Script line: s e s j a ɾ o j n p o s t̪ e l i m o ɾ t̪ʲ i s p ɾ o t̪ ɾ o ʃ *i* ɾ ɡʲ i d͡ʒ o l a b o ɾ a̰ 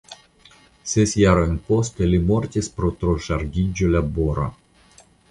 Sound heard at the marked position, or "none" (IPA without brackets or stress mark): a